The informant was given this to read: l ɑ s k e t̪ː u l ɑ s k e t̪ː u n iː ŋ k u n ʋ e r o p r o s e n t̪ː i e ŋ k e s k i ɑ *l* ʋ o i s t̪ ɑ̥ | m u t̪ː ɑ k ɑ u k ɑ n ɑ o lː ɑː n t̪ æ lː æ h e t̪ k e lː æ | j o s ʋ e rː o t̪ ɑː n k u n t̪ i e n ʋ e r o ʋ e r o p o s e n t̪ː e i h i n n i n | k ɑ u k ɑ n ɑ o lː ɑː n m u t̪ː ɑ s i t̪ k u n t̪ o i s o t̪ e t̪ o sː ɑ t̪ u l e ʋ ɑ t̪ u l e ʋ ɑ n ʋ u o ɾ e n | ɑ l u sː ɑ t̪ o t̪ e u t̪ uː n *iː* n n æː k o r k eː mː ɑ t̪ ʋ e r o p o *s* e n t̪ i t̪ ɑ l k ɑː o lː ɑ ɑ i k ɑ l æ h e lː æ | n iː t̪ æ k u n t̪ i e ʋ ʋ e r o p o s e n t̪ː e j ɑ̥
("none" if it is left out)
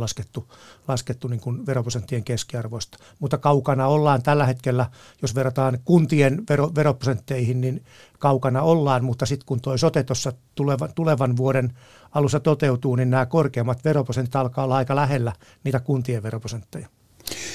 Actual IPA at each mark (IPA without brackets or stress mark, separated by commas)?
r, i, s